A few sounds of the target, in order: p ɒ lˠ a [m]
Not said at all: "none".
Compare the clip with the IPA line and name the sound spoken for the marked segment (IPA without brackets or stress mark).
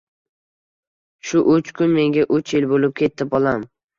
m